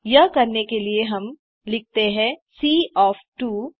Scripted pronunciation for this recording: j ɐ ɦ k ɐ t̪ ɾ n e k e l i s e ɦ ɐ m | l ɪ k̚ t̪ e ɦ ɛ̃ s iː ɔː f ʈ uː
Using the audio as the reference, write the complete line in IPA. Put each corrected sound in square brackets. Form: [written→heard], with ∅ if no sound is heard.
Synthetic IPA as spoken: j ɐ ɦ k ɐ [t̪→∅] ɾ n e k e l i [s→∅] e ɦ ɐ m | l ɪ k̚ t̪ e ɦ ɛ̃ s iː ɔː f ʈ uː

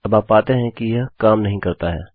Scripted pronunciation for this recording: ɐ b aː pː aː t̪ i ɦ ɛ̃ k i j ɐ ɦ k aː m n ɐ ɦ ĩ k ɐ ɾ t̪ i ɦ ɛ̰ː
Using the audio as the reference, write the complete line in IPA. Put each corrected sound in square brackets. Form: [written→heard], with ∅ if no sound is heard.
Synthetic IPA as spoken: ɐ b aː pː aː t̪ [i→e] ɦ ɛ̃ k i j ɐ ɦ k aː m n ɐ ɦ ĩ k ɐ ɾ t̪ [i→a] ɦ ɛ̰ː

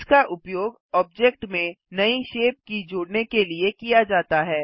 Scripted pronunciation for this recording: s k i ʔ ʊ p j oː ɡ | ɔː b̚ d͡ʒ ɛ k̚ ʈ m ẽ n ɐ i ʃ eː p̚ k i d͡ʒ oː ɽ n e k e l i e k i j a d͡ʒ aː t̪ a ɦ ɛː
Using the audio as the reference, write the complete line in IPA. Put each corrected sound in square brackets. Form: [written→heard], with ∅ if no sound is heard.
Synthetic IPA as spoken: s k [i→a] ʔ ʊ p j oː ɡ | ɔː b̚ d͡ʒ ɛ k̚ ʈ m ẽ n ɐ i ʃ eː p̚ k i d͡ʒ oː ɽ n e k e l i e k i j a d͡ʒ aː t̪ a ɦ ɛː

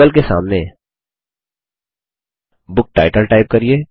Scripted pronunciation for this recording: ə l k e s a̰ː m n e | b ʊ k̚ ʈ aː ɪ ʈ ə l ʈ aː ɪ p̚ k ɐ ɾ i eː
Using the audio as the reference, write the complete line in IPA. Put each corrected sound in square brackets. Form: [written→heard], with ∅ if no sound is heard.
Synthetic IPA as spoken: ə l k e s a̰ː m n e | b ʊ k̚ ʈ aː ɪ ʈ ə l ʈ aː ɪ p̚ k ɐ ɾ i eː

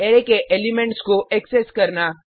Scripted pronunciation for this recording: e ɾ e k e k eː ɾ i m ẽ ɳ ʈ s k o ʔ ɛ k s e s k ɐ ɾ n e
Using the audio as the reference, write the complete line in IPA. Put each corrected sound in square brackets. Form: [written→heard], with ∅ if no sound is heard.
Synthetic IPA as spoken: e ɾ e k e [k→ʔ] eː [ɾ→l] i m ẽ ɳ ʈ s k o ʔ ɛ k s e s k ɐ ɾ n [e→a]

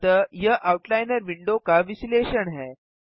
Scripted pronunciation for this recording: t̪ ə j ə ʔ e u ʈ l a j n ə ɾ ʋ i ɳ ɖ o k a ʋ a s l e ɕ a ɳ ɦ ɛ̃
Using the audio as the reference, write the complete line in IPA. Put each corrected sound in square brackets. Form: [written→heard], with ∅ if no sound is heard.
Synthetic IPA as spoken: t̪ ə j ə ʔ [e→a] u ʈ l a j n ə ɾ ʋ i ɳ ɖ o k a ʋ [a→i] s l e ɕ [a→ə] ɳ ɦ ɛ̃

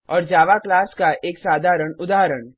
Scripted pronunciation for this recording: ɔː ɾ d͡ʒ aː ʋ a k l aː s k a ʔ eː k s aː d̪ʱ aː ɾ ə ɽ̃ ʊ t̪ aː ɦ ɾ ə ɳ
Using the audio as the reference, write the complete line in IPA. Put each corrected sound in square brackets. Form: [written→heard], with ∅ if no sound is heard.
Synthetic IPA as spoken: ɔː ɾ d͡ʒ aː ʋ a k l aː s k a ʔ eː k s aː d̪ʱ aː ɾ ə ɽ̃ ʊ [t̪→d̪] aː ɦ ɾ ə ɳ

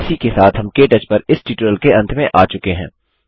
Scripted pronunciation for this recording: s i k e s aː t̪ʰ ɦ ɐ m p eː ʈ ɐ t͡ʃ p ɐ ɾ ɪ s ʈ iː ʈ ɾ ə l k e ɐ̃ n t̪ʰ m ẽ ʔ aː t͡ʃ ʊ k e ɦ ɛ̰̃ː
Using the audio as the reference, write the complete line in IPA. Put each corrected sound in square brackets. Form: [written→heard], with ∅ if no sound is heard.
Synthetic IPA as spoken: s i k e s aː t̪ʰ ɦ ɐ m [p→k] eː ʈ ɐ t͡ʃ p ɐ ɾ ɪ s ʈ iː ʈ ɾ ə l k e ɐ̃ n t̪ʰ m ẽ ʔ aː t͡ʃ ʊ k e ɦ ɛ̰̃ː

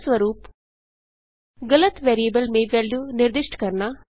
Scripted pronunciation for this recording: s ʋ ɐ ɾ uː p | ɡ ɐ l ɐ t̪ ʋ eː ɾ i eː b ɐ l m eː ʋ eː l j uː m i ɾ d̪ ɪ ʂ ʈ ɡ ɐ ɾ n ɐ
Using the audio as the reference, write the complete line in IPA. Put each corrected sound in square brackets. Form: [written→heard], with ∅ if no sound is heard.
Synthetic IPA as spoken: s ʋ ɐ ɾ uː p | ɡ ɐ l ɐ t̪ ʋ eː ɾ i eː b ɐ l m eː ʋ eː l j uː [m→n] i ɾ d̪ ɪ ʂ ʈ [ɡ→k] ɐ ɾ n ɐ

